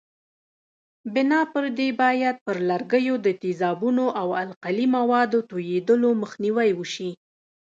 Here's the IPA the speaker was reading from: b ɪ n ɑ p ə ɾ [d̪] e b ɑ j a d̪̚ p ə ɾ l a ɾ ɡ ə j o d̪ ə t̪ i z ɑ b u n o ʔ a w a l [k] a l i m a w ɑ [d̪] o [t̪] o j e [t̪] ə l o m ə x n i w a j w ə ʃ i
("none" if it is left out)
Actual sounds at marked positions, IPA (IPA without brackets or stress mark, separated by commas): d̪, q, d̪, t̪, d̪